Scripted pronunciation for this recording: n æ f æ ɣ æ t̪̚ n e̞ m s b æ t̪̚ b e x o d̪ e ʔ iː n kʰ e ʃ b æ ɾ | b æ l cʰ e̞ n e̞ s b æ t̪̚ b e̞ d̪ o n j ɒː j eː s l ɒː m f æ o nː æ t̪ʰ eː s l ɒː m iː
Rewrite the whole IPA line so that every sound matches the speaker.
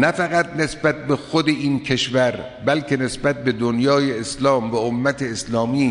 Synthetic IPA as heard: n æ f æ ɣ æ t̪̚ n e̞ s b æ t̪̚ b e x o d̪ e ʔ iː n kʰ e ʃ v æ ɾ | b æ l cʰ e̞ n e̞ s b æ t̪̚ b e̞ d̪ o n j ɒː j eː s l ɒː m v æ o mː æ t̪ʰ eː s l ɒː m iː